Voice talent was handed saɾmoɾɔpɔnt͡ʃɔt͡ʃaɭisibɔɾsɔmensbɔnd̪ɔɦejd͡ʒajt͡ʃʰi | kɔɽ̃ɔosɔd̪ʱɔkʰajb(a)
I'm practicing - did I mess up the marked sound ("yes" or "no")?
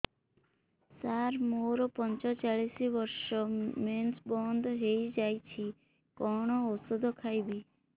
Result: yes